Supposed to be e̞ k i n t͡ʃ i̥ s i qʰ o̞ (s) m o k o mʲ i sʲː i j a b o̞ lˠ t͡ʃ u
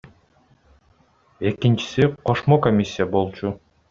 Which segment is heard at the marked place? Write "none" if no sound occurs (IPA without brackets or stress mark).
ʃ